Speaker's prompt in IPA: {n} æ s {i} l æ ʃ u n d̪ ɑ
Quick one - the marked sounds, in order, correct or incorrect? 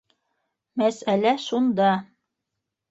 incorrect, incorrect

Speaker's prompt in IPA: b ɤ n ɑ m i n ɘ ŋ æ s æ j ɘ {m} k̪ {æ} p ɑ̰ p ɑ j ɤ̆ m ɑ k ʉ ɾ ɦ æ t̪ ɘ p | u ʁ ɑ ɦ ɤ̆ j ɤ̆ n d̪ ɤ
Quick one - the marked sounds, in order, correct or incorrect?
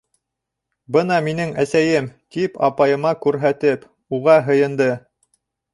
correct, incorrect

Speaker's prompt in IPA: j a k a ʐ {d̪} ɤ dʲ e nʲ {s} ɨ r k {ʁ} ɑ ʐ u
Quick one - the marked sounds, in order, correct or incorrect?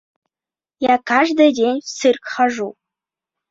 correct, correct, incorrect

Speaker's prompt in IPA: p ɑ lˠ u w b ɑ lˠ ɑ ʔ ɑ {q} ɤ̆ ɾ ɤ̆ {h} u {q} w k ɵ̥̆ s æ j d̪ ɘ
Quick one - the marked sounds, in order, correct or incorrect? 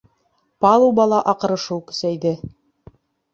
correct, incorrect, incorrect

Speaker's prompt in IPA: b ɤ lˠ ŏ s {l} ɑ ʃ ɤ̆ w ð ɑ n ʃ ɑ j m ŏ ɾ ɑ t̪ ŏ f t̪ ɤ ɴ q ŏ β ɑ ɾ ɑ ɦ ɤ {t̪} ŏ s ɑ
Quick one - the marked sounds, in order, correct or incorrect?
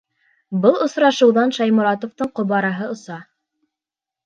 incorrect, incorrect

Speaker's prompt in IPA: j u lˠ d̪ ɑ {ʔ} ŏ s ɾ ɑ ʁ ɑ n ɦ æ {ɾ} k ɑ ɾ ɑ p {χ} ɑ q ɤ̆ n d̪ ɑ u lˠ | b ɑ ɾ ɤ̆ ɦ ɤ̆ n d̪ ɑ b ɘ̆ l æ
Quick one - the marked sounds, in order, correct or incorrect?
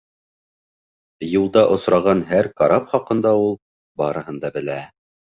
correct, correct, correct

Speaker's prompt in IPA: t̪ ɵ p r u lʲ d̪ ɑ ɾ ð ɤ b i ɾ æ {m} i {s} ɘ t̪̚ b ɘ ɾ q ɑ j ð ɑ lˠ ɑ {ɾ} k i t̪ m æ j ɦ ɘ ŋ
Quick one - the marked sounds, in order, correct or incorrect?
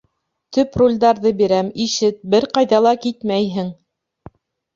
correct, incorrect, incorrect

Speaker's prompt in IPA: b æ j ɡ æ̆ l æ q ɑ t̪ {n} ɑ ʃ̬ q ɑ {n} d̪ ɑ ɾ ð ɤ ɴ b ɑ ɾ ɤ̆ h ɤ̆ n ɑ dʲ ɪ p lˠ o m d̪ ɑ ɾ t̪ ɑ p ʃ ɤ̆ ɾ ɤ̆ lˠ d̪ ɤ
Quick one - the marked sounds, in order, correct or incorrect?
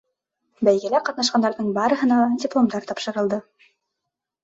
correct, correct

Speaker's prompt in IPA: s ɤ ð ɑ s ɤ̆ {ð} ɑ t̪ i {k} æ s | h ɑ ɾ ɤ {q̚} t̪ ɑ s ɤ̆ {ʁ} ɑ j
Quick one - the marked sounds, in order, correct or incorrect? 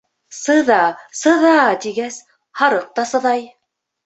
correct, incorrect, correct, incorrect

